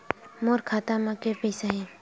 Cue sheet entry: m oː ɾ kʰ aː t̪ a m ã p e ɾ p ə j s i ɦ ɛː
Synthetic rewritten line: m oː ɾ kʰ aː t̪ a m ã k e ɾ p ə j s a ɦ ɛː